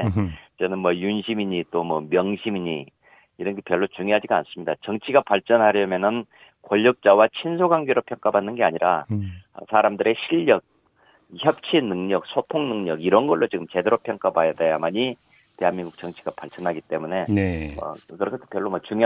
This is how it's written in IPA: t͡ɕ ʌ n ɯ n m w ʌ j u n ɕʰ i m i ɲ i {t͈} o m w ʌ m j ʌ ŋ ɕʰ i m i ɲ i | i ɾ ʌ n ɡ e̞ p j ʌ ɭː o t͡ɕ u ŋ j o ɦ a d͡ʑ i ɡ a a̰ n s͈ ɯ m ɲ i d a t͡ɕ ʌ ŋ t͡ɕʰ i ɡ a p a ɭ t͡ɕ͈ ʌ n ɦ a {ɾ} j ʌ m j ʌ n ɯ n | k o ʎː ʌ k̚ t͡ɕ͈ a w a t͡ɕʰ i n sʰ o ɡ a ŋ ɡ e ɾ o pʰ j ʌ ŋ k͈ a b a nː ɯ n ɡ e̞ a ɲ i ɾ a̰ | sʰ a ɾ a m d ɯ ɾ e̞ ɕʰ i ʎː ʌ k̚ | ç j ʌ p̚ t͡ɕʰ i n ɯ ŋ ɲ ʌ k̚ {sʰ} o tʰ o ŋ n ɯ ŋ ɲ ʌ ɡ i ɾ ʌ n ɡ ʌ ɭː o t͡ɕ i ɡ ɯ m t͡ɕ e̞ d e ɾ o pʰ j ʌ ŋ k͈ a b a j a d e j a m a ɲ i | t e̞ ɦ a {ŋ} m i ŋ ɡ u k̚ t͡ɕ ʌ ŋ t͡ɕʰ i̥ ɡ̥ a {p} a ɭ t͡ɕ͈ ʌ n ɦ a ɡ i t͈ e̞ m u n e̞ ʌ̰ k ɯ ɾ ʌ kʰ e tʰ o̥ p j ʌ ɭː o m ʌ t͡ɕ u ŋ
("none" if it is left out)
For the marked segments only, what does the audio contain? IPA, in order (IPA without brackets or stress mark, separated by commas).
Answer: t͈, ɾ, sʰ, n, p